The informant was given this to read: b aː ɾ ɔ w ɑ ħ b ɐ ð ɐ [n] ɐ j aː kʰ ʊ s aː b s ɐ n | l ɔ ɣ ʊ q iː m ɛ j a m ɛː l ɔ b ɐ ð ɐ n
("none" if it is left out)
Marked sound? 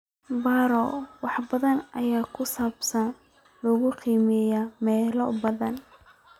n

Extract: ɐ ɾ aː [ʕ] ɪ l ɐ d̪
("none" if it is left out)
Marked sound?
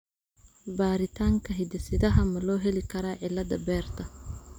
ʕ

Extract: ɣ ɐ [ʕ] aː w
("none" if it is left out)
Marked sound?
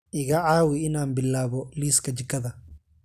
ʕ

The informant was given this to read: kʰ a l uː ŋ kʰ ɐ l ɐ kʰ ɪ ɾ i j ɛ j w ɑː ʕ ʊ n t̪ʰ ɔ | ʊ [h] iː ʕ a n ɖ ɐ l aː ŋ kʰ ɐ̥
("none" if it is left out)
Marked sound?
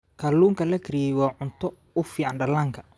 f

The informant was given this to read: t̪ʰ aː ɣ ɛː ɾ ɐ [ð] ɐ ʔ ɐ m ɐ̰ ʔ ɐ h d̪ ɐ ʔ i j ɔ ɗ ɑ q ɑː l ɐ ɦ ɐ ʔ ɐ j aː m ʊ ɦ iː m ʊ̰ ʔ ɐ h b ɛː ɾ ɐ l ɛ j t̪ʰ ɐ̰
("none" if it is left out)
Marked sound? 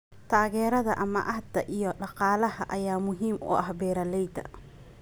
ð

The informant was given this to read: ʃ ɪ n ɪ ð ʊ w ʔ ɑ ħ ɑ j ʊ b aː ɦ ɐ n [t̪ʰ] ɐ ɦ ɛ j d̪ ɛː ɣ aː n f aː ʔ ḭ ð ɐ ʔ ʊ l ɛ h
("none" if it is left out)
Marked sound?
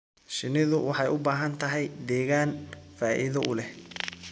t̪ʰ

